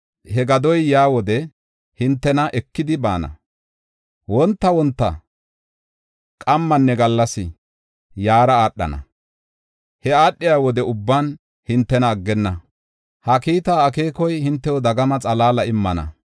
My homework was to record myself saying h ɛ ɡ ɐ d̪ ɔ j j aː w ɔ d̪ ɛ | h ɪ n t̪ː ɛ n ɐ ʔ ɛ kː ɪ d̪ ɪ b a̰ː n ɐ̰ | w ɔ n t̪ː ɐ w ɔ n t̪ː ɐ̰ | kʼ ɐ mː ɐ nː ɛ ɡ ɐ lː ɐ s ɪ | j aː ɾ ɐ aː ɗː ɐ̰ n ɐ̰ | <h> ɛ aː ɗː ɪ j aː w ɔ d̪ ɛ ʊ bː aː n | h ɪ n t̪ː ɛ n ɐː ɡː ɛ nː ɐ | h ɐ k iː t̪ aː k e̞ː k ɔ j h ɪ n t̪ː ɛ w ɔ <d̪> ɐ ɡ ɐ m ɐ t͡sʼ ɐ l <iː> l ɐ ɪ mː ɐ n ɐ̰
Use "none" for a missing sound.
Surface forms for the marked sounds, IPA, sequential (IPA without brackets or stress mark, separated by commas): h, d̪, aː